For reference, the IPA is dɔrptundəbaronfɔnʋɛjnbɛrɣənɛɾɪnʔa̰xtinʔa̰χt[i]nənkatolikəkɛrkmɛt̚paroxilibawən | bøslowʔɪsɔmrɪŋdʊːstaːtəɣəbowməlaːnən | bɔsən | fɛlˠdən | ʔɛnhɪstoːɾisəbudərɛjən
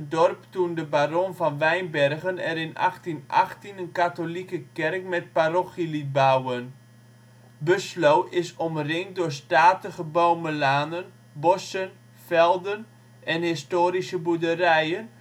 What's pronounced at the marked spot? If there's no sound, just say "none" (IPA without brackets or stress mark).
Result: i